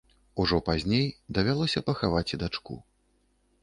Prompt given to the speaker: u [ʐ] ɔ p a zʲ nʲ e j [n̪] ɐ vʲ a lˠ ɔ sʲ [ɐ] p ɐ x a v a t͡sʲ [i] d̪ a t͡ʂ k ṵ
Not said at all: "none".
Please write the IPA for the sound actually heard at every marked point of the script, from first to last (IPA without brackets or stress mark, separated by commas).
ʐ, d̪, ɐ, i